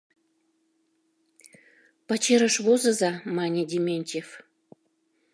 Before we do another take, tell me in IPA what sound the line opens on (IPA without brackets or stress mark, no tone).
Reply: p